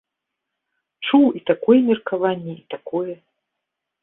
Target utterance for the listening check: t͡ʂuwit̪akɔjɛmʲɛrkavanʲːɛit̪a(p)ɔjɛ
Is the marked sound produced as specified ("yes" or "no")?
no